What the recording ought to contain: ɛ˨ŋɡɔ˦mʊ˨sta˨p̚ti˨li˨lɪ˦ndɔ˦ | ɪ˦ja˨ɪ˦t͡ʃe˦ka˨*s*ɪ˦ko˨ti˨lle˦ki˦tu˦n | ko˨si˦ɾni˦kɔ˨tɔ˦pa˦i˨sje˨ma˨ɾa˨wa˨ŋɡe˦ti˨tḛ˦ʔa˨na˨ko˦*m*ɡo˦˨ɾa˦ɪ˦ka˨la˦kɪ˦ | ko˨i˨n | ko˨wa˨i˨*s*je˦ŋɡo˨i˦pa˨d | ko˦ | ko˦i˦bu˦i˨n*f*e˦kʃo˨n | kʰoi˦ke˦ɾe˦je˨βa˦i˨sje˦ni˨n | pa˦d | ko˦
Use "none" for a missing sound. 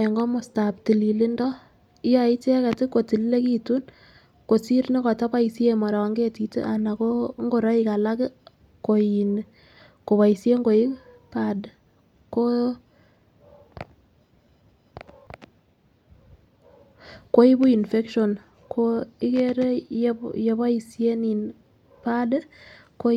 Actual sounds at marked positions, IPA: t, ŋ, s, f

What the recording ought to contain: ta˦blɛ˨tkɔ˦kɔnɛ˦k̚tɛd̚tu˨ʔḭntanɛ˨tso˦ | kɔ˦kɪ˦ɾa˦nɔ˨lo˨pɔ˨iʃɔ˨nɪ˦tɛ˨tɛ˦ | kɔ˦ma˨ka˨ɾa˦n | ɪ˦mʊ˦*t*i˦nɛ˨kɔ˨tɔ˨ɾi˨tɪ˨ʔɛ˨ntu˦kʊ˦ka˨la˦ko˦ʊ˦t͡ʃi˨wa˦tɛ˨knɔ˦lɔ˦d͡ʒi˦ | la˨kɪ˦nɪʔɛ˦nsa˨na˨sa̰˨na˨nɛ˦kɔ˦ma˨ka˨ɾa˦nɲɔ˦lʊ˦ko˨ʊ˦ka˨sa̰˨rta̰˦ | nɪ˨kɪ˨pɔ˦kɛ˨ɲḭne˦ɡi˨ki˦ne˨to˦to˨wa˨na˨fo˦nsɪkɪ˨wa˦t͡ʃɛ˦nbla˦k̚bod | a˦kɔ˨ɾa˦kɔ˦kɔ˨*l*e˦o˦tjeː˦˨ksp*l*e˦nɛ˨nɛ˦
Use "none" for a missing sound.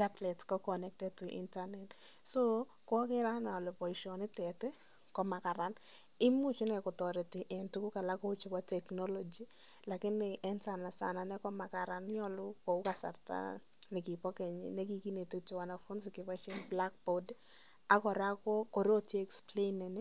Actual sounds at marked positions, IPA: t͡ʃ, ɾ, l

